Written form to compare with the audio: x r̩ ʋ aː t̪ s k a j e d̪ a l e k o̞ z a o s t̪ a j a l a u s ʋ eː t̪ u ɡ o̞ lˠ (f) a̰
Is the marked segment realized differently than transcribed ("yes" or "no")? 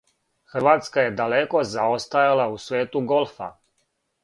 no